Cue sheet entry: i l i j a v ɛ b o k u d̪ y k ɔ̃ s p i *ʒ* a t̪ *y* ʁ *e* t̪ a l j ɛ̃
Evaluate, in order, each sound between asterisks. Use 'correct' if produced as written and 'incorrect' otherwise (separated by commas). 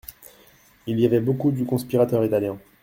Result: incorrect, incorrect, incorrect